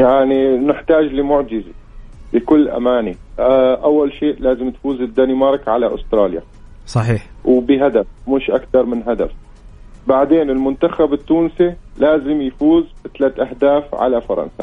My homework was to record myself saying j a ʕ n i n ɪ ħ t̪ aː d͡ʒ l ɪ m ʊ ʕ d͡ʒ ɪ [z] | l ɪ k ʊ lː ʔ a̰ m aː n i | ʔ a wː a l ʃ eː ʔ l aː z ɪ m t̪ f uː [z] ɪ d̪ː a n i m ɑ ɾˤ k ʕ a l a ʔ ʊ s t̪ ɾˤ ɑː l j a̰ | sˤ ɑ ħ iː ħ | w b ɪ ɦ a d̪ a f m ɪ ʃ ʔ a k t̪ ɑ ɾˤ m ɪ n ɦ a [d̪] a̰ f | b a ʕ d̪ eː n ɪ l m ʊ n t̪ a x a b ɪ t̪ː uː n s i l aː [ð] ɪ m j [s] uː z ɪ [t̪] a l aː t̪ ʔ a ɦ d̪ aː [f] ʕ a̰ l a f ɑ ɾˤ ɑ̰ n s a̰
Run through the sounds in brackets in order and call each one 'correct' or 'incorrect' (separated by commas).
correct, correct, correct, incorrect, incorrect, correct, correct